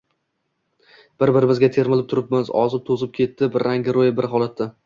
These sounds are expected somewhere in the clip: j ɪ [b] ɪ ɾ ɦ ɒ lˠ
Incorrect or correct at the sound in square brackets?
correct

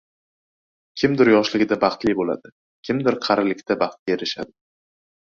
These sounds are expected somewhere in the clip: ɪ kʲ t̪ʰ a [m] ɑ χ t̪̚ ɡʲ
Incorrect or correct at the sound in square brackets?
incorrect: b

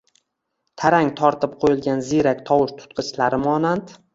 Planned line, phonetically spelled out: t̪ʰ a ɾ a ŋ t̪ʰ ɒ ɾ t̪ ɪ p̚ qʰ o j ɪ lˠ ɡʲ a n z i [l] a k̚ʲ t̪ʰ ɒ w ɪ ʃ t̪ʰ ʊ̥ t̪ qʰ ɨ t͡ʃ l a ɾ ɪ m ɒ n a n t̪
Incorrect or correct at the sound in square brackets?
incorrect: ɾ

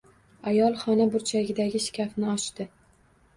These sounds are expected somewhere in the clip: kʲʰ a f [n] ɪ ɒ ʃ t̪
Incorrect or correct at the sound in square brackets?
correct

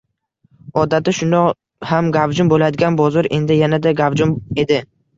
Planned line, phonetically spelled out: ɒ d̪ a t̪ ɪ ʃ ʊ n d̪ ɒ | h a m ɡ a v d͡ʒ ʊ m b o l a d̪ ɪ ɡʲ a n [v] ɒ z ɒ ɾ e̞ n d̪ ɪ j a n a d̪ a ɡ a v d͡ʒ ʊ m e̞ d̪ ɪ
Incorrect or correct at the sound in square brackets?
incorrect: b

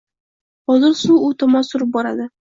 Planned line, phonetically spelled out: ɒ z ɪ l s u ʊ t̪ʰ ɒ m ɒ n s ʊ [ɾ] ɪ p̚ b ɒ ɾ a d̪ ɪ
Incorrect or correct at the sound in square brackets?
correct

